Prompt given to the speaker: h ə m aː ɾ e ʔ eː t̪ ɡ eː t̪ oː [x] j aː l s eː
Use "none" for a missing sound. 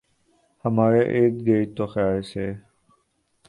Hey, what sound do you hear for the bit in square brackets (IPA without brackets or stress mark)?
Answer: x